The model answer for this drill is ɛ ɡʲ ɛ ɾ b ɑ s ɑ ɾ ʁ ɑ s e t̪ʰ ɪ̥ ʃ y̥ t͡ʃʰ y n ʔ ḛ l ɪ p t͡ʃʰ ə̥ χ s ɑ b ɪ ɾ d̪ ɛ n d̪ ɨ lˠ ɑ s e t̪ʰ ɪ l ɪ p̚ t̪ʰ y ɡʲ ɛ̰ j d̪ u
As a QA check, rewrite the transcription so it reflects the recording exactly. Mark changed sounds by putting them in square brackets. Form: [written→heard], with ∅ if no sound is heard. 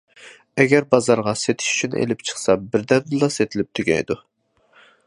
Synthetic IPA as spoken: ɛ ɡʲ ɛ ɾ b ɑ [s→z] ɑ ɾ ʁ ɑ s e t̪ʰ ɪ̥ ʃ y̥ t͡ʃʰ y n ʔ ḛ l ɪ p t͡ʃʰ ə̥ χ s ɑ b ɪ ɾ d̪ ɛ n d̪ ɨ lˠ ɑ s e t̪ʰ ɪ l ɪ p̚ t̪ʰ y ɡʲ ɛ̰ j d̪ u